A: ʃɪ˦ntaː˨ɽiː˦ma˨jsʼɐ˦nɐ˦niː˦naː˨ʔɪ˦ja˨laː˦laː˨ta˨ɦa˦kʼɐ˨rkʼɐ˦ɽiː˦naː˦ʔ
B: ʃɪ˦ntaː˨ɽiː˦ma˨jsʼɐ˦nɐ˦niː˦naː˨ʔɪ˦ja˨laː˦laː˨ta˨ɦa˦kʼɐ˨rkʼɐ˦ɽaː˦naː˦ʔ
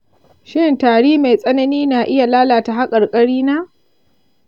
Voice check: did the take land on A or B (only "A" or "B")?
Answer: A